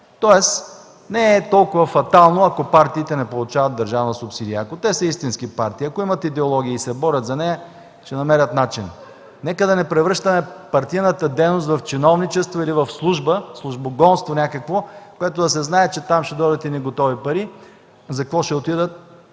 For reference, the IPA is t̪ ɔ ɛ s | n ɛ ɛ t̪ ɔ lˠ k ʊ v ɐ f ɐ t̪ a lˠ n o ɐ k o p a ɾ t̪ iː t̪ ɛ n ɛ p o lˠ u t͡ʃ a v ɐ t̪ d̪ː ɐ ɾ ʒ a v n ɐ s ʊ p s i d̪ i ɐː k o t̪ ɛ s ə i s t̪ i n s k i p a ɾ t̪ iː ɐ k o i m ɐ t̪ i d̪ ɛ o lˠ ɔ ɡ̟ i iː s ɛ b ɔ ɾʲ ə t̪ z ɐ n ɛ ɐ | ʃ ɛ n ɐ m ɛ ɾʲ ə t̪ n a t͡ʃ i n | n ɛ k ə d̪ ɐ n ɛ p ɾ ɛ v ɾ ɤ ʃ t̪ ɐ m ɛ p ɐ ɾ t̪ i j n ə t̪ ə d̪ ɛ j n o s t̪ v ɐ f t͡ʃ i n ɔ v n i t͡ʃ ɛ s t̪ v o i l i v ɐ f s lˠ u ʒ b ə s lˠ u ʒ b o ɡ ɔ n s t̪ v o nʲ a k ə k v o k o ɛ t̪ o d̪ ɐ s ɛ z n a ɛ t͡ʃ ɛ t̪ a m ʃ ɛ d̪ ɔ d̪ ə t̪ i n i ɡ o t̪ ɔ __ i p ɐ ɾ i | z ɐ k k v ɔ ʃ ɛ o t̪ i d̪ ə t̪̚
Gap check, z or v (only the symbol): v